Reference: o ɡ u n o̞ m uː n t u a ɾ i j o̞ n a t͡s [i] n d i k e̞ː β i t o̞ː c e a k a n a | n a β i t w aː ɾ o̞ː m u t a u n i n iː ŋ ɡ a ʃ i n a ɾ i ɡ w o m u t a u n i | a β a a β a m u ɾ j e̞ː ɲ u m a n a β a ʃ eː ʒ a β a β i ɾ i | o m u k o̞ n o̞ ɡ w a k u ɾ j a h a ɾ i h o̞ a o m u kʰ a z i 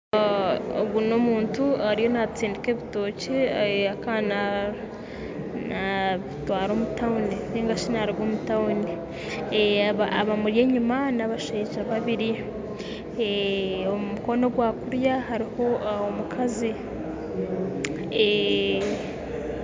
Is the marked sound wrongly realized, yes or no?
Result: yes